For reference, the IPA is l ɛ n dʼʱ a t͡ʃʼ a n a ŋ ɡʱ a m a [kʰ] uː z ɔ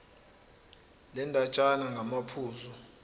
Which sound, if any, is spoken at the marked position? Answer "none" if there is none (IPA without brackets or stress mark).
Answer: pʰ